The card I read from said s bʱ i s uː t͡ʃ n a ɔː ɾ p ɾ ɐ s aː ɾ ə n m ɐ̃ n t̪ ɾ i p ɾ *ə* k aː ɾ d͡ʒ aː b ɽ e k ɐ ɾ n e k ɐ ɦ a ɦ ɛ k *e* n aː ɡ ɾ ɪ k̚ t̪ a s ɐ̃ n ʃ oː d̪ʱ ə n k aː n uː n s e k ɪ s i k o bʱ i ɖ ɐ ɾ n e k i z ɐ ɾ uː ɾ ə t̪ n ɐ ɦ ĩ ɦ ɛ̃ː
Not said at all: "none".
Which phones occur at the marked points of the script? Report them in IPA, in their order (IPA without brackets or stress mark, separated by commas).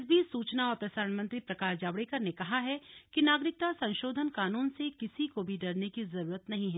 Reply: ɐ, i